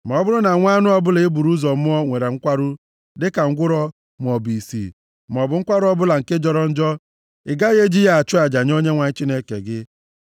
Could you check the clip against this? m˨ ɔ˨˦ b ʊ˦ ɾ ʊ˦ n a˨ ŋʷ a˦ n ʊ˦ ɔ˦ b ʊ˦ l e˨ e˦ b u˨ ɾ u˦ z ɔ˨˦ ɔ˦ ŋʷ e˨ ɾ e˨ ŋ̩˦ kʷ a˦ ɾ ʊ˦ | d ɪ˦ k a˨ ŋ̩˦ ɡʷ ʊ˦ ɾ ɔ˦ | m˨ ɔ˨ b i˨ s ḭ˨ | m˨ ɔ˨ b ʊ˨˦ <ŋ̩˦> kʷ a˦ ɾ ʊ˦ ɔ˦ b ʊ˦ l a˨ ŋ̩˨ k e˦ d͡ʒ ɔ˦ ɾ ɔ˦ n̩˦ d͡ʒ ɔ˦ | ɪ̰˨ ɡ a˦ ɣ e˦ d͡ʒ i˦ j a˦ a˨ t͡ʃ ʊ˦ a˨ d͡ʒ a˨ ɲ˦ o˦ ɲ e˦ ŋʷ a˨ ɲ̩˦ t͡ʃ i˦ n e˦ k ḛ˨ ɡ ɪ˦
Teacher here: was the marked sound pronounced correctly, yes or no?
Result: yes